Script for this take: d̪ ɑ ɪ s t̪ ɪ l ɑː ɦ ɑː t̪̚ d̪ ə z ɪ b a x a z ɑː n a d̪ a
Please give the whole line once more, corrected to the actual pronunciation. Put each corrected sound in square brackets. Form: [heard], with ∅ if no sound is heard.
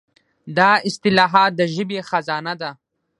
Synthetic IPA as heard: d̪ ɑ ɪ s t̪ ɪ l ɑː ɦ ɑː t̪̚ d̪ ə [ʒ] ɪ b [e] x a z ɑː n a d̪ a